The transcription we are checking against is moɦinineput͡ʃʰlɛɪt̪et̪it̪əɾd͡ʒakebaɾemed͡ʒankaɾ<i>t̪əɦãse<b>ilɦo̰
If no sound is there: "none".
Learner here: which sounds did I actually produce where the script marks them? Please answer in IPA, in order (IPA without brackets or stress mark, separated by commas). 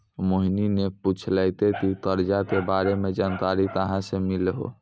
i, m